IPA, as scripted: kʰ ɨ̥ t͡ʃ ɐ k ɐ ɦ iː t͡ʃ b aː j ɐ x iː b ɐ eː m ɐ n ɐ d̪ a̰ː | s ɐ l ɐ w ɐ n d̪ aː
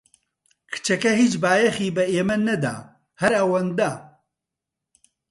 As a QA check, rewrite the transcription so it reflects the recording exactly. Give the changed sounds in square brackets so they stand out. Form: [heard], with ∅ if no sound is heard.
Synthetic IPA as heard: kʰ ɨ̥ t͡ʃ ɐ k ɐ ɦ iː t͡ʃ b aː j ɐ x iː b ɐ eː m ɐ n ɐ d̪ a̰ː | [h] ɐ [ɾ] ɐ w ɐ n d̪ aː